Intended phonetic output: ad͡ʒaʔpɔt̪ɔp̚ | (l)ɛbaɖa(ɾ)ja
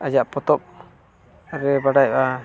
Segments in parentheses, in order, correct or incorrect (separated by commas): incorrect, incorrect